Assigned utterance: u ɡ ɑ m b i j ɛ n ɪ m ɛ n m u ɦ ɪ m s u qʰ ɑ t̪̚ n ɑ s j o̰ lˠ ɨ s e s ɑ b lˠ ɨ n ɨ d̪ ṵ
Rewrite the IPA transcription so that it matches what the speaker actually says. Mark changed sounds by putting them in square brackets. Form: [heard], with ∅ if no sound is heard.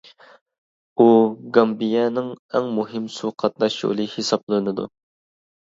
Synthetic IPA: u ɡ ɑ m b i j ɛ n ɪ [ŋ] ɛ [ŋ] m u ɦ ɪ m s u qʰ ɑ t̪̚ n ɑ [ʃ] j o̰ lˠ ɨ [h] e s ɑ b lˠ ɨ n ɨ d̪ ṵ

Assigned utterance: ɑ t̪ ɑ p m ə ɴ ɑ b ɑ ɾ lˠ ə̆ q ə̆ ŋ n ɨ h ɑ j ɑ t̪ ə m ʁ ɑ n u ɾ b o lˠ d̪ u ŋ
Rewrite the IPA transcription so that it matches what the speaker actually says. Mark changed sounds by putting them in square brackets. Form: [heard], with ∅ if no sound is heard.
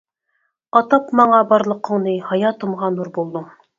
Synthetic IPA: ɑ t̪ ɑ p m [ɑ] ɴ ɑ b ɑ ɾ lˠ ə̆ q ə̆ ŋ n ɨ h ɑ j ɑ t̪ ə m ʁ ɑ n u ɾ b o lˠ d̪ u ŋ

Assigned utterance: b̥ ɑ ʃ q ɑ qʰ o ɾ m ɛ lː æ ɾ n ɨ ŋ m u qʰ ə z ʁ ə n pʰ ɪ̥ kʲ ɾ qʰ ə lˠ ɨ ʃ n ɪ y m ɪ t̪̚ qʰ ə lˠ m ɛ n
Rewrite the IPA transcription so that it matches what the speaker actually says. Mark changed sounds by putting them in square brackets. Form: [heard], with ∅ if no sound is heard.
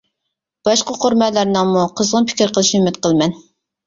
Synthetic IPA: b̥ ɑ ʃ q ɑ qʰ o ɾ m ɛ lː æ ɾ n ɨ ŋ m u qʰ ə z ʁ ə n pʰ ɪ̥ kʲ ɾ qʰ ə lˠ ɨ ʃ n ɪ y m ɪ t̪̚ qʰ ə lˠ m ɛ n

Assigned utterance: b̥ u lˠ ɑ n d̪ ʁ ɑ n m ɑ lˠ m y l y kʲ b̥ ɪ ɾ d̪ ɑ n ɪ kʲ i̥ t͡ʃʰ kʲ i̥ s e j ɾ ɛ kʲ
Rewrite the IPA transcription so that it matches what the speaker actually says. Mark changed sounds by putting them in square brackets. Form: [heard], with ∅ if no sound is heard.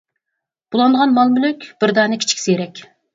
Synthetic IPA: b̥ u lˠ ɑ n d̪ ʁ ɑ n m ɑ lˠ m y l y kʲ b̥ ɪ ɾ d̪ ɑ n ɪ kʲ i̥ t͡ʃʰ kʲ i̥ s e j ɾ ɛ kʲ

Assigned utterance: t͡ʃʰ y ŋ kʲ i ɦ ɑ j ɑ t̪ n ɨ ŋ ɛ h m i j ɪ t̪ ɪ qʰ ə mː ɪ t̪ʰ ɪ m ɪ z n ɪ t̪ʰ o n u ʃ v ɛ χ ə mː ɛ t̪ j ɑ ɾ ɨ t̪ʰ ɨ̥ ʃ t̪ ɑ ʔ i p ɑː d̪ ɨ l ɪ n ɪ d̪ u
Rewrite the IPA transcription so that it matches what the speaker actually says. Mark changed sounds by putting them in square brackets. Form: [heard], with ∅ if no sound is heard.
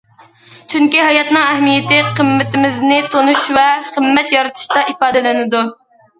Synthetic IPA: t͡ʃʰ y ŋ kʲ i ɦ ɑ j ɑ t̪ n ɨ ŋ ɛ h m i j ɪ t̪ ɪ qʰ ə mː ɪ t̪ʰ ɪ m ɪ z n ɪ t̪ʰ o n u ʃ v ɛ χ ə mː ɛ t̪ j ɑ ɾ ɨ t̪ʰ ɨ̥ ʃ t̪ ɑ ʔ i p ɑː d̪ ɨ l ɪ n ɪ d̪ u

